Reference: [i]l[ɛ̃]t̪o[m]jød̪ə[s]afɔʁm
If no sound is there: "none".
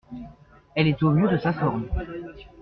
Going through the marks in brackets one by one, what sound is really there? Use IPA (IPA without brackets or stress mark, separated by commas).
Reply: ɛ, ɛ, m, s